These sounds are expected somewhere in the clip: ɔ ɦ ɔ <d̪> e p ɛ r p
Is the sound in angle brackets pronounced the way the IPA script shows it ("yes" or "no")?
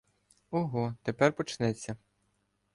no